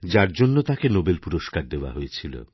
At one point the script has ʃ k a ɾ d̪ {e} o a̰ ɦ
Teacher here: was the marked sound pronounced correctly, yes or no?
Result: yes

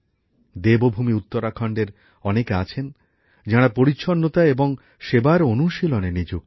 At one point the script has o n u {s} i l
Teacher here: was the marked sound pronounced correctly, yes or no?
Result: no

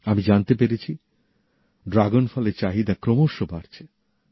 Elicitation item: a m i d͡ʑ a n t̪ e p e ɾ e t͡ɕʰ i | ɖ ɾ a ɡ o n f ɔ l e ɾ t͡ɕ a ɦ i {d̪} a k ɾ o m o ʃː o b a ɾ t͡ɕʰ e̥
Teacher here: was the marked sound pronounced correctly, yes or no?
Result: yes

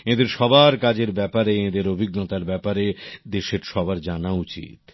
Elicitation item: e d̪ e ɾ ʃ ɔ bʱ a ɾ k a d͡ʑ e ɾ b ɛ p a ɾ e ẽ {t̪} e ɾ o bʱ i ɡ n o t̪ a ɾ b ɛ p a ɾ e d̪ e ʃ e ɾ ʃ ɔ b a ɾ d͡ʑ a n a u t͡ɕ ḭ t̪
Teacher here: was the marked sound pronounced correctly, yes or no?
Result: no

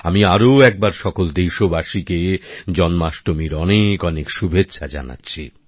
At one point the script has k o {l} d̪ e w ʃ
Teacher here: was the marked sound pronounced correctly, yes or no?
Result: yes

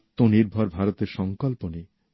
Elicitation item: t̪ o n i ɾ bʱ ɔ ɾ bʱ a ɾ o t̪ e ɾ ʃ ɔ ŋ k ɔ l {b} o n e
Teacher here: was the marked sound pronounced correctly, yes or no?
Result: no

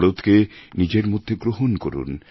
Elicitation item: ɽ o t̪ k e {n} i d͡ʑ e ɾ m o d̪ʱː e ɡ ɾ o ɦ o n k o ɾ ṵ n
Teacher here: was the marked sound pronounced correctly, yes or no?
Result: yes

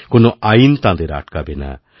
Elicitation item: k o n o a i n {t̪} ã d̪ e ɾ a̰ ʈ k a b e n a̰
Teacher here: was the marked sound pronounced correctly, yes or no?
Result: yes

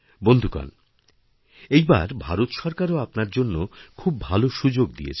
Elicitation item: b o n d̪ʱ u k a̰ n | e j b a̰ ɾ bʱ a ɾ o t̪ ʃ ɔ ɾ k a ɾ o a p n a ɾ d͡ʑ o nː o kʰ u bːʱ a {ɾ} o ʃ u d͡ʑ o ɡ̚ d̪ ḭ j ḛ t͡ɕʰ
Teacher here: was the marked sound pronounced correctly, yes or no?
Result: no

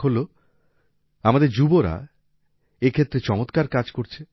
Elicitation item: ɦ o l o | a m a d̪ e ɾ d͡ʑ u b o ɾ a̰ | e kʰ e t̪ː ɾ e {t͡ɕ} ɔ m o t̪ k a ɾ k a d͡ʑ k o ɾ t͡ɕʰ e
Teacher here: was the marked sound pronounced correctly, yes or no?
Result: yes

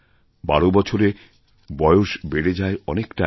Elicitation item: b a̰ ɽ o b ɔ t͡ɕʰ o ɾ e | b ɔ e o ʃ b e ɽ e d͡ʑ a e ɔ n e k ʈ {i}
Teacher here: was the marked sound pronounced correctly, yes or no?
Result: no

